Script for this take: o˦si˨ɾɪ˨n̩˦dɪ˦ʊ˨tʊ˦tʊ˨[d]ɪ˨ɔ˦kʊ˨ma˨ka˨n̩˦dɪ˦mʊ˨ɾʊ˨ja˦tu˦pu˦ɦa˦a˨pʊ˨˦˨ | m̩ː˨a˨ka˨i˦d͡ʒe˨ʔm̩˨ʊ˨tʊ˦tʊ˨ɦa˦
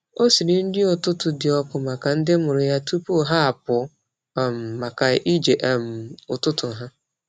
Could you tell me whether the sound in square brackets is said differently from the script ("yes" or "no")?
no